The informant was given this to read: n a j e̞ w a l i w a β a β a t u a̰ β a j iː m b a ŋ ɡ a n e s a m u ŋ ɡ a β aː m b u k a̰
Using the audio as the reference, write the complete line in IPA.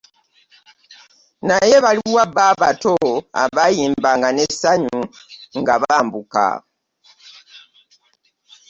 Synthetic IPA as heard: n a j e̞ β a l i w a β a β a t o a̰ β a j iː m b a ŋ ɡ a n e s a ɲ u ŋ ɡ a β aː m b u k a̰